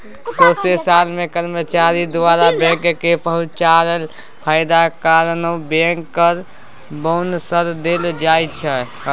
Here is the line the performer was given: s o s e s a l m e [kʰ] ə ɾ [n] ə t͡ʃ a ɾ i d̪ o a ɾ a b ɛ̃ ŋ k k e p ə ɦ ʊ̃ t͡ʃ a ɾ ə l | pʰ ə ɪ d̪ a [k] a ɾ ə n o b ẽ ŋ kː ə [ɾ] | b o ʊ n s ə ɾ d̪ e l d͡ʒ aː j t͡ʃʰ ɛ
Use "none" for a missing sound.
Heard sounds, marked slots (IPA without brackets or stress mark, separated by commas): k, m, k, ɾ